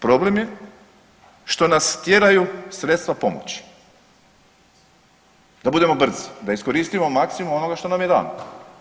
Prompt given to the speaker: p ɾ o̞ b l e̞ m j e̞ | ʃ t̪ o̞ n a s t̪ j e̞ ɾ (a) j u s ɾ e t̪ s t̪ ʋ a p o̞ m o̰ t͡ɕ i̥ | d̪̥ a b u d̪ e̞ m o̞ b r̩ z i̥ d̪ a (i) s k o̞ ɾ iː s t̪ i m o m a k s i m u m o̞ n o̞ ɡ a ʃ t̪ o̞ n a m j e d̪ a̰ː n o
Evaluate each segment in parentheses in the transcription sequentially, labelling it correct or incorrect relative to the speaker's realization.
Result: correct, correct

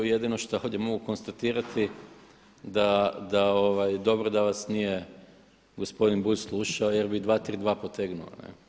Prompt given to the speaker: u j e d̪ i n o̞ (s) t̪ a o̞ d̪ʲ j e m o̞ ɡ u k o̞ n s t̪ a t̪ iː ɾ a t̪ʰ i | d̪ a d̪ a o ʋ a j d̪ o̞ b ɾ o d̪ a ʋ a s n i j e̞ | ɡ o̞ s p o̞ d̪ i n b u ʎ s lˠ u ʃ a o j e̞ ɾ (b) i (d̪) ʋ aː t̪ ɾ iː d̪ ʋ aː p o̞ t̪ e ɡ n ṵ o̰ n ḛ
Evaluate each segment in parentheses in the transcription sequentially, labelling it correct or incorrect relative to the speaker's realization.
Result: incorrect, correct, correct

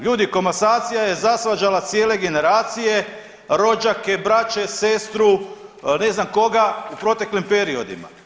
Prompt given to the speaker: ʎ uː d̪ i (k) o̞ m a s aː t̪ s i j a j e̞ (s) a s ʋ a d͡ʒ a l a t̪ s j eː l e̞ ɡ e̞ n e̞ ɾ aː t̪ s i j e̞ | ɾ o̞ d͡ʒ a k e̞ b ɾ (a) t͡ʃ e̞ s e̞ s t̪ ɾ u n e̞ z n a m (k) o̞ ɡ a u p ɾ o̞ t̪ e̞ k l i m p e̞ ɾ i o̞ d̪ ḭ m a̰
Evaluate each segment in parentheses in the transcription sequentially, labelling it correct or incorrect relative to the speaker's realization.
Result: correct, incorrect, correct, correct

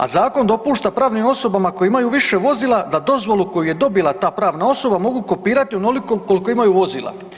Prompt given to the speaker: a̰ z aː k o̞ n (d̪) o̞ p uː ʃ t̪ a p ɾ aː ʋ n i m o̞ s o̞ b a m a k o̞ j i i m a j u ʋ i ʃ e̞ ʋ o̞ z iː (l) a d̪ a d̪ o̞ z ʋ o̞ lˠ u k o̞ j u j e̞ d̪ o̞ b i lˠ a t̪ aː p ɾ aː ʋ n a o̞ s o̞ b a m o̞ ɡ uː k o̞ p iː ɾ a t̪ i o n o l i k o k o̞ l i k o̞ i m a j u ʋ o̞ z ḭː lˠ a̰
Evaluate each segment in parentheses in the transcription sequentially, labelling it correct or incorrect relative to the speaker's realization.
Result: correct, correct

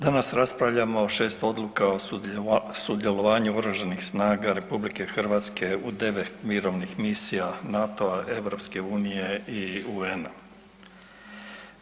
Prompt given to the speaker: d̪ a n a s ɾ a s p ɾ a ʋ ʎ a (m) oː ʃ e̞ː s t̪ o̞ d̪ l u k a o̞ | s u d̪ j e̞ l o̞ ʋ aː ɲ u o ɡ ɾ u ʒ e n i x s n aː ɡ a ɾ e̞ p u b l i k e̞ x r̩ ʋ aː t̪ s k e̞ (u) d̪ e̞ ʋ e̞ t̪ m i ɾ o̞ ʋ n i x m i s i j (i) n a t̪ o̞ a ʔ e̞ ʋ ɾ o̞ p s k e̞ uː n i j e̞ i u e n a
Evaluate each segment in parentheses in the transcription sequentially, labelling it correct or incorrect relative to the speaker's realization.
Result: correct, correct, incorrect

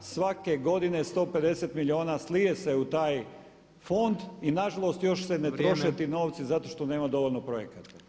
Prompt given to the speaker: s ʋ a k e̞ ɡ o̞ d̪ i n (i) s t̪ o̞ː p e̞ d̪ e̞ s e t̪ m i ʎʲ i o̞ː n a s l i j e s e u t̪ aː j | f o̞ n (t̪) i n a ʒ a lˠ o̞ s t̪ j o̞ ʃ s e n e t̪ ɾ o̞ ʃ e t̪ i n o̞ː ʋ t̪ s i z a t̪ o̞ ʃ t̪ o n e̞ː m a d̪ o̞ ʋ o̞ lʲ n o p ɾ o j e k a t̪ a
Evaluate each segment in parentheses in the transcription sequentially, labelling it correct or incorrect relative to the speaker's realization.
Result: incorrect, incorrect

